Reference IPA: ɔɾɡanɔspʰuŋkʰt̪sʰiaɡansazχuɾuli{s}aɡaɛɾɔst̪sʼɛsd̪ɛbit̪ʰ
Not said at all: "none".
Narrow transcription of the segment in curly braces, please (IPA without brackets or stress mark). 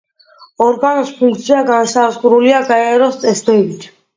none